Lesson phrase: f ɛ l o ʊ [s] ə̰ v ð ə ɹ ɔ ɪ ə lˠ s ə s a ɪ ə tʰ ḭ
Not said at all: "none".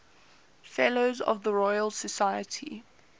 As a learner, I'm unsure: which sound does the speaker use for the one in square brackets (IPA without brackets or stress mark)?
z